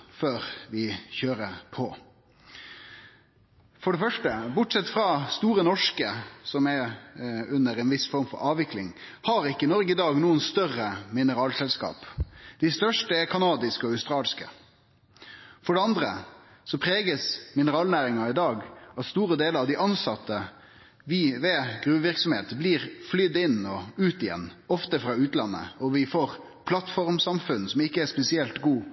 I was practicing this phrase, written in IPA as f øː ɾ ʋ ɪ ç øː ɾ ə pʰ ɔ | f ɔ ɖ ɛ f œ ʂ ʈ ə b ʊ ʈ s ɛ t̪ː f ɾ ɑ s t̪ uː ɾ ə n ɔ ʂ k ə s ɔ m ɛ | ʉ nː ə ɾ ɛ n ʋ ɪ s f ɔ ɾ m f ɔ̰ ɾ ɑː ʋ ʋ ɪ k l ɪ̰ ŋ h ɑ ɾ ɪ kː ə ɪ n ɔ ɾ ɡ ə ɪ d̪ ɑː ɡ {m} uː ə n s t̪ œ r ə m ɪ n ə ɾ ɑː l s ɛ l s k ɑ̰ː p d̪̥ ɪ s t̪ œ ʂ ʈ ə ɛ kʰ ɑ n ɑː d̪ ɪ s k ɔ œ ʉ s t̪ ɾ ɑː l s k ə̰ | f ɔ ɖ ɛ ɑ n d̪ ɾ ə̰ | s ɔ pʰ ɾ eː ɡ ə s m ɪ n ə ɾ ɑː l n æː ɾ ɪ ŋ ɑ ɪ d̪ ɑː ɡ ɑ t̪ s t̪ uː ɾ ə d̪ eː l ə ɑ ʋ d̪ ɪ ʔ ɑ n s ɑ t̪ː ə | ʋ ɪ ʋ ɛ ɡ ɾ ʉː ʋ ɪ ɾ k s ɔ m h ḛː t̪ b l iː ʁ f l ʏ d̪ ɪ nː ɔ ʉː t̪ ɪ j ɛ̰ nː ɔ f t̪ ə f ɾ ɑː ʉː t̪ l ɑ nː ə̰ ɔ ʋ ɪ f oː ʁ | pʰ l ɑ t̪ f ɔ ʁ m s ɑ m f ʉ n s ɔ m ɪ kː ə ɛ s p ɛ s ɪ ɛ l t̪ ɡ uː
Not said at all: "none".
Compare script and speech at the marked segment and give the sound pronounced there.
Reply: n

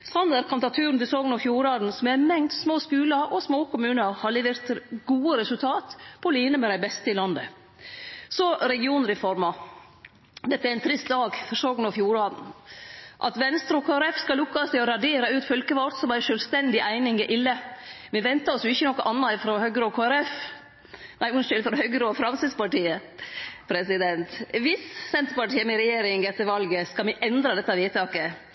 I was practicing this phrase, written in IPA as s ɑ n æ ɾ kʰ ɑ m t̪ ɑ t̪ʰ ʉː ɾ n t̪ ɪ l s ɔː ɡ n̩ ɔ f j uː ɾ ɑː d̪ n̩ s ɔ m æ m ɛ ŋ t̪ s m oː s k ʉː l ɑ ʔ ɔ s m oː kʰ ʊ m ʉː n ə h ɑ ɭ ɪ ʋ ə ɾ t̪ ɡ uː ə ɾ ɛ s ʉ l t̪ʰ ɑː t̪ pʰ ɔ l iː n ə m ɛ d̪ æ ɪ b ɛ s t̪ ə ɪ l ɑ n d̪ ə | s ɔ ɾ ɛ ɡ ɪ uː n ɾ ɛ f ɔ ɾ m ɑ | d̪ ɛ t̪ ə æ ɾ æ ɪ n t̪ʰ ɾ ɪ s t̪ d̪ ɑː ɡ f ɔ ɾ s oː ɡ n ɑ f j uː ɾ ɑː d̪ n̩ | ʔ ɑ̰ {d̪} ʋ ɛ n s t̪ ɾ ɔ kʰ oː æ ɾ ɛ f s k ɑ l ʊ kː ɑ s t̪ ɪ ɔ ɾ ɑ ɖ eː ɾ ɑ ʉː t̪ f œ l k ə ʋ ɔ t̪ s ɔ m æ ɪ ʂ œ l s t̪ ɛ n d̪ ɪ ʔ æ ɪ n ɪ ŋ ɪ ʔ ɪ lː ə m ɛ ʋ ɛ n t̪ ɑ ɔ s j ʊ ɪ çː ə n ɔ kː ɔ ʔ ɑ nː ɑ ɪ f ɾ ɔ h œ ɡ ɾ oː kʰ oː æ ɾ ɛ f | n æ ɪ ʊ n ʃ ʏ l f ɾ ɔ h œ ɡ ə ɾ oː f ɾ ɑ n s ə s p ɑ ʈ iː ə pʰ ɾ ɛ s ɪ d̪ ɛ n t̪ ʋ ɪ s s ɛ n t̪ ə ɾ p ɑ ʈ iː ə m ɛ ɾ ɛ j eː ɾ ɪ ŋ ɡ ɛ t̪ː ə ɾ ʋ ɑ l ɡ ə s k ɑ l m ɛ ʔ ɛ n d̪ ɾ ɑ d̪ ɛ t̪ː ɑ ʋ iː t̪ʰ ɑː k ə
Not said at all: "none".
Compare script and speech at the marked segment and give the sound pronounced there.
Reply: t̪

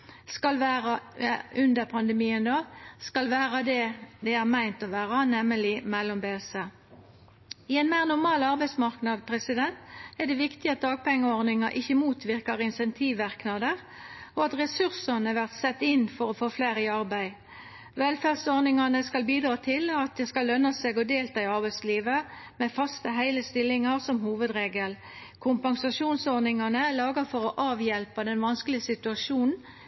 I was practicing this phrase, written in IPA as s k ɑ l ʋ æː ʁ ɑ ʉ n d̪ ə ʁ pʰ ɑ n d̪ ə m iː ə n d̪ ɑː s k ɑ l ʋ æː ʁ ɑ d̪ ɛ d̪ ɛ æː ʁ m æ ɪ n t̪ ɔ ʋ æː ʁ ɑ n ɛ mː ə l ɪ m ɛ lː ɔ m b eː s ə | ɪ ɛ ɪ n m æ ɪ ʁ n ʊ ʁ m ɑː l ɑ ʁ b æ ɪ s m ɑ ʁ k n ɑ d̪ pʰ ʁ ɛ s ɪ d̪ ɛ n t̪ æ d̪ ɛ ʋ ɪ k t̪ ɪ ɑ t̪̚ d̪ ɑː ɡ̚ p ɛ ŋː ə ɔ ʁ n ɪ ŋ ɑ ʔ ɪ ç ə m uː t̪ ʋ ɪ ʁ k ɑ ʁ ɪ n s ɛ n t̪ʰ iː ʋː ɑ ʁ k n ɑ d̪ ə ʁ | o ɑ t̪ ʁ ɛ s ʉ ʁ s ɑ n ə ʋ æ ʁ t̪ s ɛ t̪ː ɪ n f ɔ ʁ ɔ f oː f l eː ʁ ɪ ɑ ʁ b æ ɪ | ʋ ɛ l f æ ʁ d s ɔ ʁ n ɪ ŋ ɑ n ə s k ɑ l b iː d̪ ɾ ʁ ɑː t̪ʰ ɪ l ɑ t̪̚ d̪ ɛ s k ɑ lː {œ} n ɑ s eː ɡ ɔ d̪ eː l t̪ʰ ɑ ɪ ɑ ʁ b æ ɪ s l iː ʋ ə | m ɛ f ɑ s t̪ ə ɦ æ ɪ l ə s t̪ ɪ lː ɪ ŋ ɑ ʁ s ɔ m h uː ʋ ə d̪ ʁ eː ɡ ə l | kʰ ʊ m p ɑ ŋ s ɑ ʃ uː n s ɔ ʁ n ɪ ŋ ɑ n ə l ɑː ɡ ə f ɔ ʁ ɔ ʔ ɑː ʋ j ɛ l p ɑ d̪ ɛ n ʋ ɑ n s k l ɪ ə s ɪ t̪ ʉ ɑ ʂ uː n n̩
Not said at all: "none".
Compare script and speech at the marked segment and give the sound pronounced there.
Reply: œ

